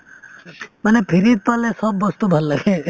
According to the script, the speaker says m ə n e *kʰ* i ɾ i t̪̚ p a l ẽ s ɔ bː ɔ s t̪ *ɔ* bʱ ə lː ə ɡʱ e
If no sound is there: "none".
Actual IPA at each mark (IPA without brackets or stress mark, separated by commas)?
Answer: pʰ, u